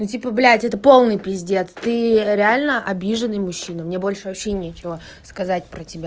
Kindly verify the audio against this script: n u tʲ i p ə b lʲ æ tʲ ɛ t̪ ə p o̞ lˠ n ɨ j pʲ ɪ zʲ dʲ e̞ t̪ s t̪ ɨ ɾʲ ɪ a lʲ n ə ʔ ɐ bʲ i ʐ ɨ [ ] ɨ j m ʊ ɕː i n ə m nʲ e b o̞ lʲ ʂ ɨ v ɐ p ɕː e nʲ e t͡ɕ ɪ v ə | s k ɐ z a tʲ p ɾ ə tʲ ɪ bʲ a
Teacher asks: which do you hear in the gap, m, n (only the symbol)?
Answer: n